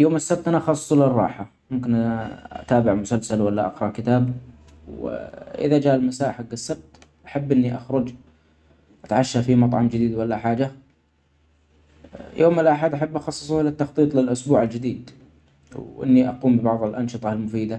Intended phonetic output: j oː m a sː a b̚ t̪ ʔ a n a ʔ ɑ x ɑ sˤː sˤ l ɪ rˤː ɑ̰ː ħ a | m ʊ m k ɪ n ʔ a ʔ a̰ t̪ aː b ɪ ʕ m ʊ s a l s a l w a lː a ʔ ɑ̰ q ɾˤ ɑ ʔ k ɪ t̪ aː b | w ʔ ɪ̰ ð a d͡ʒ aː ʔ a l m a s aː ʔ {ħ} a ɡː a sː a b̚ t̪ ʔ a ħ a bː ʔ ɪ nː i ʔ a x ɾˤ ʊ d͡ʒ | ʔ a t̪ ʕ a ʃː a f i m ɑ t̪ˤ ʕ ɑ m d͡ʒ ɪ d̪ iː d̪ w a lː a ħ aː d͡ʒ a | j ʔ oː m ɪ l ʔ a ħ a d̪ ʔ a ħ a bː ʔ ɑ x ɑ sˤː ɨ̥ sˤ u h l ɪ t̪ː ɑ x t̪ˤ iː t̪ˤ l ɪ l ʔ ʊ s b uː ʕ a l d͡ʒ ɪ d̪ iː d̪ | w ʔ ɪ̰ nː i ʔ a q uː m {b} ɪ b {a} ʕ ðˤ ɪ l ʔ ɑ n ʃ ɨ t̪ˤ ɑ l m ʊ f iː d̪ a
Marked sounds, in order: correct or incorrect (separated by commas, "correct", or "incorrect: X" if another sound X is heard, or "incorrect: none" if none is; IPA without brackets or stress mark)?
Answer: correct, correct, incorrect: ɑ